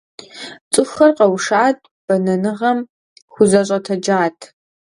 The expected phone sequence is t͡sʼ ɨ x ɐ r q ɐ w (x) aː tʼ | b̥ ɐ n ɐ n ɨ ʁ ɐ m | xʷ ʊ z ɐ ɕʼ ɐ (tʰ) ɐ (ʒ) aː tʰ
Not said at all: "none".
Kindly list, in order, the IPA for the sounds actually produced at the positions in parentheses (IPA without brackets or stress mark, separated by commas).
ʂ, tʰ, d͡ʒ